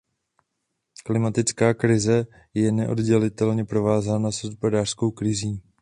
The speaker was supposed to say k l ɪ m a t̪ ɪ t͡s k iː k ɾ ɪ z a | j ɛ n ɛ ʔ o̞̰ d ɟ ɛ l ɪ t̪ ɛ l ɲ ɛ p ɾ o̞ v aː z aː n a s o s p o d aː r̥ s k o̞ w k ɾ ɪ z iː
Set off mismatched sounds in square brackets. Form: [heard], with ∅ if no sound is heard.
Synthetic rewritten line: k l ɪ m a t̪ ɪ t͡s k [aː] k ɾ ɪ z [ɛ] | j ɛ n ɛ ʔ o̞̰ d ɟ ɛ l ɪ t̪ ɛ l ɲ ɛ p ɾ o̞ v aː z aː n a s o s p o d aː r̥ s k o̞ w k ɾ ɪ z iː

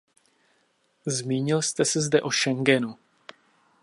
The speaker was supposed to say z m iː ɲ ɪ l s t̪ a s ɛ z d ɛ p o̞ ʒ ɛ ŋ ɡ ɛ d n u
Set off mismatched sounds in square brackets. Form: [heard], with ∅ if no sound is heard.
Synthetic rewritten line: z m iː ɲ ɪ l s t̪ [ɛ] s ɛ z d ɛ [ʔ] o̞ [ʃ] ɛ ŋ ɡ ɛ [∅] n u

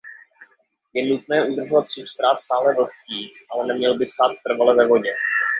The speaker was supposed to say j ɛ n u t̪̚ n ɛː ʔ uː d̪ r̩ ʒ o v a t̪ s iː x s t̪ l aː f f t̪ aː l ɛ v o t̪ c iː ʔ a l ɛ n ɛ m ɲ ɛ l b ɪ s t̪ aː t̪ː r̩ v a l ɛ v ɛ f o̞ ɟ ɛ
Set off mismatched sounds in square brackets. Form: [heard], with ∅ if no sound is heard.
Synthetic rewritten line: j ɛ n u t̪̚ n ɛː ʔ [u] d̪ r̩ ʒ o v a t̪ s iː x s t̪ [ɾ] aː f [s] t̪ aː l ɛ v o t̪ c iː ʔ a l ɛ n ɛ m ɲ ɛ l b ɪ s t̪ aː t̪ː r̩ v a l ɛ v ɛ [v] o̞ ɟ ɛ

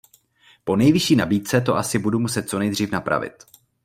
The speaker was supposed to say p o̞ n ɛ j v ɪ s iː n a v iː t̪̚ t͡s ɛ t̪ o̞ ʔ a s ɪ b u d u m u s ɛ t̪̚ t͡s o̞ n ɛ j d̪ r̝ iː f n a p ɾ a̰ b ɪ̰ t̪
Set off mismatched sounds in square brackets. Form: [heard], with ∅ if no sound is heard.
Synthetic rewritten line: p o̞ n ɛ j v ɪ [ʃ] iː n a [b] iː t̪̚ t͡s ɛ t̪ o̞ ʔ a s ɪ b u d u m u s ɛ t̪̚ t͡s o̞ n ɛ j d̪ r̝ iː f n a p ɾ a̰ [v] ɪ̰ t̪

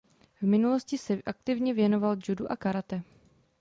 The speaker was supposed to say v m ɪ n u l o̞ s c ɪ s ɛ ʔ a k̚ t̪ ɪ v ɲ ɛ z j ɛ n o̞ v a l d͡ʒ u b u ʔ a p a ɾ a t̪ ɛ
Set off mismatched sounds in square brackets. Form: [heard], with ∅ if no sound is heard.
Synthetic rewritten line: v m ɪ n u l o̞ s c ɪ s ɛ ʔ a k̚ t̪ ɪ v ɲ ɛ [v] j ɛ n o̞ v a l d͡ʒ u [d] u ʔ a [k] a ɾ a t̪ ɛ

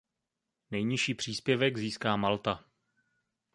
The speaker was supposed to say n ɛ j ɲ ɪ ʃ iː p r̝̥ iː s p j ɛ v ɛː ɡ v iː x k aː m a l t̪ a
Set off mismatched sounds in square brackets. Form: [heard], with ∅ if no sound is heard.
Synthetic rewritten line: n ɛ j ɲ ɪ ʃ iː p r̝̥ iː s p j ɛ v [ɛ] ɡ [z] iː [s] k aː m a l t̪ a

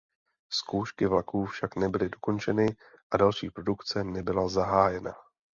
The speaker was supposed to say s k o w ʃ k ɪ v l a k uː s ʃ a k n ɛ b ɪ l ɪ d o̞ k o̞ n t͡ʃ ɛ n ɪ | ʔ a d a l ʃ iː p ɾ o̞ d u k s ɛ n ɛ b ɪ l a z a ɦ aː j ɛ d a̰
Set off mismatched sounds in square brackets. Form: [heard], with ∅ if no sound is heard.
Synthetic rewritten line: s k o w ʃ k ɪ v l a k uː [f] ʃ a k n ɛ b ɪ l ɪ d o̞ k o̞ n t͡ʃ ɛ n ɪ | ʔ a d a l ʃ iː p ɾ o̞ d u k [t͡s] ɛ n ɛ b ɪ l a z a ɦ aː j ɛ [n] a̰

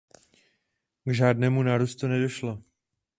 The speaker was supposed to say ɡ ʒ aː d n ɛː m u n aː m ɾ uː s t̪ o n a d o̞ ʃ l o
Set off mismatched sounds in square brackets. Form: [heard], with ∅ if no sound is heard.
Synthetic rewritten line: ɡ ʒ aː d n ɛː m u n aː [∅] ɾ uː s t̪ [u] n [ɛ] d o̞ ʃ l o

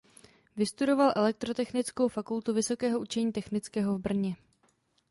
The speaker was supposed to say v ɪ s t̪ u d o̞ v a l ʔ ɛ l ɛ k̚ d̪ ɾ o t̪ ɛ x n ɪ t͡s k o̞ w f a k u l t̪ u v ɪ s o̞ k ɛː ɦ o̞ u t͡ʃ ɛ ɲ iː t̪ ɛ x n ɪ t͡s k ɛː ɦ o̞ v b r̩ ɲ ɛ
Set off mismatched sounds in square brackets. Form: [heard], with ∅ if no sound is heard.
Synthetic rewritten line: v ɪ s t̪ u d o̞ v a l ʔ ɛ l ɛ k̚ [t̪] ɾ o t̪ ɛ x n ɪ t͡s k o̞ w f a k u l t̪ u v ɪ s o̞ k ɛː ɦ o̞ u t͡ʃ ɛ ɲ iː t̪ ɛ x n ɪ t͡s k ɛː ɦ o̞ v b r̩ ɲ ɛ

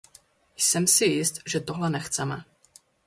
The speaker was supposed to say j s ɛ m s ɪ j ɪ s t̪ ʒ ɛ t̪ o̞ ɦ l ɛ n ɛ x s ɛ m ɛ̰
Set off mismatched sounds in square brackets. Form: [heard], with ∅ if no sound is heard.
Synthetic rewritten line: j s ɛ m s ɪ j ɪ s t̪ ʒ ɛ t̪ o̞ ɦ l ɛ n ɛ x [t͡s] ɛ m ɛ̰

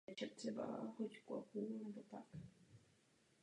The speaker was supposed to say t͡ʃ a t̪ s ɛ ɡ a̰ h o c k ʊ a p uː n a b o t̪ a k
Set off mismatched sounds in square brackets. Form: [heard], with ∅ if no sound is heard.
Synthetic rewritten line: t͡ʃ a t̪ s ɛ [b] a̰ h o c k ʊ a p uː n [ɛ] b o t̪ a k

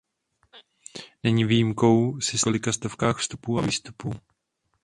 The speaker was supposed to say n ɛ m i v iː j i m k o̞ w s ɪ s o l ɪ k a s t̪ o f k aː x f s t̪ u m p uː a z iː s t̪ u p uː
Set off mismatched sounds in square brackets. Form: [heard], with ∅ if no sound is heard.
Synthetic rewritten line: n ɛ [ɲ] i v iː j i m k o̞ w s ɪ s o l ɪ k a s t̪ o f k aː x f s t̪ u [∅] p uː a [v] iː s t̪ u p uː

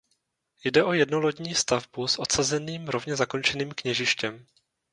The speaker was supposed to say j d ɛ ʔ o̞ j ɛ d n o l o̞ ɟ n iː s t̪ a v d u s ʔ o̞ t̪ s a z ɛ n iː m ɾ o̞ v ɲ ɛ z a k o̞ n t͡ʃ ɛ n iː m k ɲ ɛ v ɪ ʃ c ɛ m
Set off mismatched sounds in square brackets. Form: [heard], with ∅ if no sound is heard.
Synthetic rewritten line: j d ɛ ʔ o̞ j ɛ d n o l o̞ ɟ [ɲ] iː s t̪ a v [b] u s ʔ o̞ t̪ s a z ɛ n iː m ɾ o̞ v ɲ ɛ z a k o̞ n t͡ʃ ɛ n iː m k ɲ ɛ [ʒ] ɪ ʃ c ɛ m

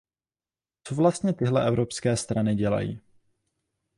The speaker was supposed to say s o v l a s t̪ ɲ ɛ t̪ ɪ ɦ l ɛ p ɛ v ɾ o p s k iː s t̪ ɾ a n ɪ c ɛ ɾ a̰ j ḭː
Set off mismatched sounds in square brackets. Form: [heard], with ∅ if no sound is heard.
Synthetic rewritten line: [t͡s] o v l a s t̪ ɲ ɛ t̪ ɪ ɦ l ɛ [ʔ] ɛ v ɾ o p s k [ɛː] s t̪ ɾ a n ɪ [ɟ] ɛ [l] a̰ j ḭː

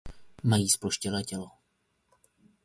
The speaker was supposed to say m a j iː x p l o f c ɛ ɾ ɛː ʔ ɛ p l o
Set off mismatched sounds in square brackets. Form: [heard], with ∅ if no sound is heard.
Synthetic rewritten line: m a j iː [s] p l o [ʃ] c ɛ [l] ɛː [c] ɛ [∅] l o

